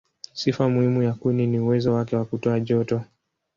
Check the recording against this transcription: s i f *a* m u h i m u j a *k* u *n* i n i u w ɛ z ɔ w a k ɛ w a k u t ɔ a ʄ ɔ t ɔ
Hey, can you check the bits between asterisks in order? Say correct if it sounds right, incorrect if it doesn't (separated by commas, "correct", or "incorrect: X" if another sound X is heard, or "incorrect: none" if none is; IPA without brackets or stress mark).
correct, correct, correct